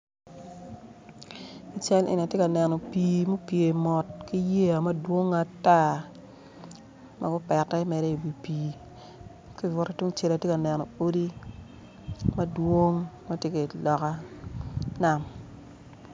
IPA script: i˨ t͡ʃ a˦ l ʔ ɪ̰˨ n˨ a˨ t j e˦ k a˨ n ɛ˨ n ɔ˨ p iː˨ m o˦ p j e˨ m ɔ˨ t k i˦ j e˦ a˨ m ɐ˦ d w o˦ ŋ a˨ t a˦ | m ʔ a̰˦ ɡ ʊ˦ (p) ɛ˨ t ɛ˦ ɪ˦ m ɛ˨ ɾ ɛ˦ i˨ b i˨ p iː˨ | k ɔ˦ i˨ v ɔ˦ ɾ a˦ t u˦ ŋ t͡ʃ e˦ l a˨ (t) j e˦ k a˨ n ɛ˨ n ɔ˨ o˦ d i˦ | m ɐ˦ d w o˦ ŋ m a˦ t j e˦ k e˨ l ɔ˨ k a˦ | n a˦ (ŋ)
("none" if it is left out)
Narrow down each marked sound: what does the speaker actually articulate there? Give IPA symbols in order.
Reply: p, t, m

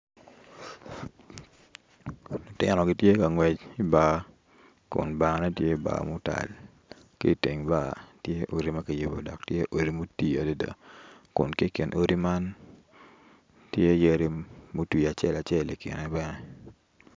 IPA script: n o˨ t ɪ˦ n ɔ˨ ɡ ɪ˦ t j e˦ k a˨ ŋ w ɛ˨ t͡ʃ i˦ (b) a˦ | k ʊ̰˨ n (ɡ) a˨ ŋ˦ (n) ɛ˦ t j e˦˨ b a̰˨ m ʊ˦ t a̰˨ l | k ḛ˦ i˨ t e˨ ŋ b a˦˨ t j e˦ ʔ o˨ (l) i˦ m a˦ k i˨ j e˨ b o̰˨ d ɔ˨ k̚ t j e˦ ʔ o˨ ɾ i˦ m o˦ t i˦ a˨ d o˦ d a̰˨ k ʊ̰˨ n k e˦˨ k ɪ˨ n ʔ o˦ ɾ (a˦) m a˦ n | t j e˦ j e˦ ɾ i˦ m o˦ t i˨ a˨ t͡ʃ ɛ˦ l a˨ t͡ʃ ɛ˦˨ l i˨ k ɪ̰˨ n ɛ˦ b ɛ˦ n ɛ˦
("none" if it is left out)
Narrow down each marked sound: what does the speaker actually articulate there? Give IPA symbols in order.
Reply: b, b, n, ɾ, i˦

